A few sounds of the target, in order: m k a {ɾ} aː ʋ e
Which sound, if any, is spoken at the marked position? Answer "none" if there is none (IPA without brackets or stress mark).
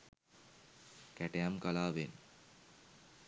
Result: l